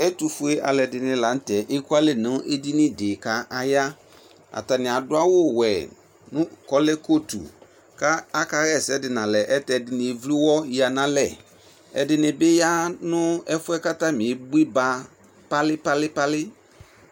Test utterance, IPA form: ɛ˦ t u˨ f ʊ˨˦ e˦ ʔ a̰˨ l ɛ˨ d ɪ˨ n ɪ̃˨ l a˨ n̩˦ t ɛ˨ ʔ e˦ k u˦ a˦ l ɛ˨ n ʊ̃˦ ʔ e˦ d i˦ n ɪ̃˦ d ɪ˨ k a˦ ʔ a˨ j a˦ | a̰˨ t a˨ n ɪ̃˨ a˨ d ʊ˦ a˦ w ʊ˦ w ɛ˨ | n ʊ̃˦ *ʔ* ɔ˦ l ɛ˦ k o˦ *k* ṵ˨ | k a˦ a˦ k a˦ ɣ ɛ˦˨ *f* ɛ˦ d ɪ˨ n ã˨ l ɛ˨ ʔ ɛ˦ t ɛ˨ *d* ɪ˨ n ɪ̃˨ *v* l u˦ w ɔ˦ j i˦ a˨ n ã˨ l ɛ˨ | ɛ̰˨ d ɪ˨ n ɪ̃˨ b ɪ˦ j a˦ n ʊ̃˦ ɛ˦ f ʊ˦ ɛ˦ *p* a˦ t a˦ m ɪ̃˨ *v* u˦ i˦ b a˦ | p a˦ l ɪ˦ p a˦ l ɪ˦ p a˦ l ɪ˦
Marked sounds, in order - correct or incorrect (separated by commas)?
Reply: incorrect, incorrect, incorrect, correct, correct, incorrect, incorrect